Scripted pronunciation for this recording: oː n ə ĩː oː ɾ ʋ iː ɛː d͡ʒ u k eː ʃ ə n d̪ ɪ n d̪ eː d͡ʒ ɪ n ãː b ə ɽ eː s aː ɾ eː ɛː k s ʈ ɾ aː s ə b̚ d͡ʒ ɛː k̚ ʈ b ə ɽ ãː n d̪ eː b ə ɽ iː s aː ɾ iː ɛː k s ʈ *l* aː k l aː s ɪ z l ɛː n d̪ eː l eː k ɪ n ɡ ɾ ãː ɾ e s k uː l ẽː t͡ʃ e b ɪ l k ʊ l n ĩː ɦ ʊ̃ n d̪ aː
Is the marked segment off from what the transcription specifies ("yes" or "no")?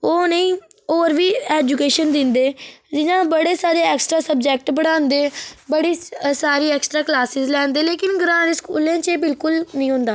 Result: yes